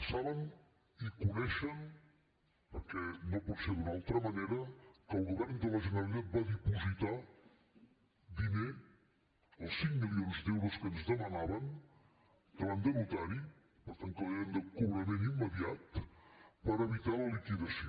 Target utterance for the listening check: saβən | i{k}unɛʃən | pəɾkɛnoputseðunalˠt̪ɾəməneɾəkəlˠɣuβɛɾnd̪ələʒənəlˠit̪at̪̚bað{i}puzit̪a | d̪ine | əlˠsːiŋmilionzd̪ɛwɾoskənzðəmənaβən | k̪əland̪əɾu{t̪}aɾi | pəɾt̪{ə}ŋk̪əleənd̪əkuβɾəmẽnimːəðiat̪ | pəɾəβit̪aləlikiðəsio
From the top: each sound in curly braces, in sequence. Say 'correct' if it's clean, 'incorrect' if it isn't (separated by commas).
correct, correct, correct, incorrect